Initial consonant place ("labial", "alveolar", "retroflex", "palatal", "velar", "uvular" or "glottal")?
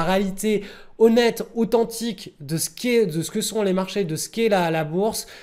uvular